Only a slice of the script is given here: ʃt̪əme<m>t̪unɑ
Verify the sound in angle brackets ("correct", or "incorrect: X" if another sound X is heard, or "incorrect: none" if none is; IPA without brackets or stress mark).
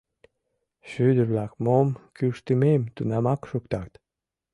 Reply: correct